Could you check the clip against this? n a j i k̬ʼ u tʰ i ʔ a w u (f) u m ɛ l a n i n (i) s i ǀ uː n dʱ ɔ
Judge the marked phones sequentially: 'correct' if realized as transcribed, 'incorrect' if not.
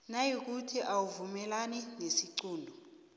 incorrect: v, incorrect: e

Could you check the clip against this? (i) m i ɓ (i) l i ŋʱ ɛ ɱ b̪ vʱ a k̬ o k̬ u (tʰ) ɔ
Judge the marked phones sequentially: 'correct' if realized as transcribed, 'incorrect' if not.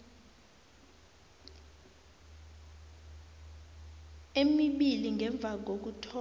incorrect: e, correct, correct

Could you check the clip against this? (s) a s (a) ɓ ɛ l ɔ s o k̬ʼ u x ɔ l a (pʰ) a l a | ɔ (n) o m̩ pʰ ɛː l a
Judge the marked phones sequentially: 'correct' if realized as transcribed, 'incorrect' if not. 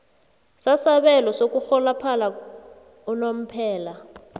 correct, correct, correct, correct

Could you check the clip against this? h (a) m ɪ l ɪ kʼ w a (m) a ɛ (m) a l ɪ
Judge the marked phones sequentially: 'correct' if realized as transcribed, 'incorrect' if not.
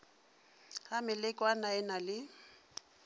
correct, incorrect: n, incorrect: n

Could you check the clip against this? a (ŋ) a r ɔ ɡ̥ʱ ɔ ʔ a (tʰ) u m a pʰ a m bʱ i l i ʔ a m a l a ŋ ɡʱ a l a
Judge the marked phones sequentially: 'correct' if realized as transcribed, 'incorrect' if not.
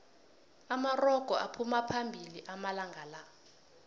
incorrect: m, incorrect: pʰ

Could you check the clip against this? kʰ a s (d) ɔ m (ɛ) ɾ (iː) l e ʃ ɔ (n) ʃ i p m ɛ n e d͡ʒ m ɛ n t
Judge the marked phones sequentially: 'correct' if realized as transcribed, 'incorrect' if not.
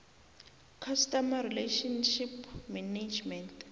incorrect: t, incorrect: a, incorrect: i, correct

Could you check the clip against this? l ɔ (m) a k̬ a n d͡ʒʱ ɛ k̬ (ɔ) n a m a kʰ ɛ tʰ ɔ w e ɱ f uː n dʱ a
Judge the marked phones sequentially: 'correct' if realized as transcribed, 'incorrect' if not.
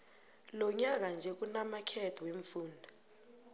incorrect: ɲ, incorrect: u

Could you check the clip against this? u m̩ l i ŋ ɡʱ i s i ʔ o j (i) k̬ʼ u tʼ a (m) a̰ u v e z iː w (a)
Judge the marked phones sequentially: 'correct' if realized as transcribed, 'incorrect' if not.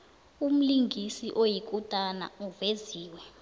correct, incorrect: n, incorrect: ɛ

